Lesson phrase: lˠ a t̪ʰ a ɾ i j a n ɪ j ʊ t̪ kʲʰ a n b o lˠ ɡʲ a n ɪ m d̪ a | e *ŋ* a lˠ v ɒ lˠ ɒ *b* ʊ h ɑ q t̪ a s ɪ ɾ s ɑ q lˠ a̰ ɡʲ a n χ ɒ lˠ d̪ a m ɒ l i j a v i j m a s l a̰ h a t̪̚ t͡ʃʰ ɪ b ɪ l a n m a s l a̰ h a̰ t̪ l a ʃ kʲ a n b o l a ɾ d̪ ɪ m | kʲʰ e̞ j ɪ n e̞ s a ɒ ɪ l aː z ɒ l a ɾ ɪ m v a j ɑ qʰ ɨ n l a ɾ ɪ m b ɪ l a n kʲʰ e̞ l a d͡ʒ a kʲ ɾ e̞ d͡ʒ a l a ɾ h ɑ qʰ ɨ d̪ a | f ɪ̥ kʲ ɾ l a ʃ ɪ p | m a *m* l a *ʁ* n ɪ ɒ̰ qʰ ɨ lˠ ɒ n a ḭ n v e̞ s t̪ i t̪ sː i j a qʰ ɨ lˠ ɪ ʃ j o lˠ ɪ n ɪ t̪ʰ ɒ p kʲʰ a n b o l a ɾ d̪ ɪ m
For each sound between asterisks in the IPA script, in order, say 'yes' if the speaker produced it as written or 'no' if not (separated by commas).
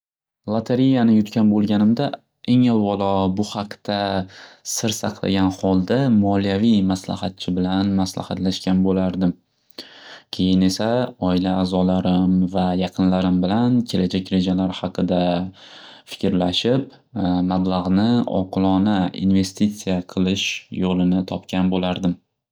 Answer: yes, yes, no, yes